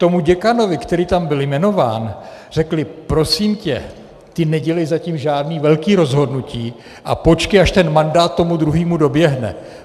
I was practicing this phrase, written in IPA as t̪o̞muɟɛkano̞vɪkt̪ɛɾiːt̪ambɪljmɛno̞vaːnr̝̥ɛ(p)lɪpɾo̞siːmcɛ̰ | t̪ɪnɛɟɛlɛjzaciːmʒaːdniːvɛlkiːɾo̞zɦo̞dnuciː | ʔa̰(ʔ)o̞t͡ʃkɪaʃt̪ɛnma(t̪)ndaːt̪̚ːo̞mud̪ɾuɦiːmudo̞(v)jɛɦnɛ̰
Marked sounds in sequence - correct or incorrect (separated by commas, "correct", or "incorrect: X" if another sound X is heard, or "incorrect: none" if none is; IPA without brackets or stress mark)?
incorrect: k, incorrect: p, incorrect: none, incorrect: b